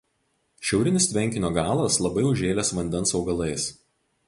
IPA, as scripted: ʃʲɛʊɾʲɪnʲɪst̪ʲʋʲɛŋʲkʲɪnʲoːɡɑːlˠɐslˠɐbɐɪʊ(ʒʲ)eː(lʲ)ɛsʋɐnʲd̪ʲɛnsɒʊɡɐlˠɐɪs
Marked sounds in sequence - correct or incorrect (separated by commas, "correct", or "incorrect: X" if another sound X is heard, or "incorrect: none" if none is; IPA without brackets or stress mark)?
correct, correct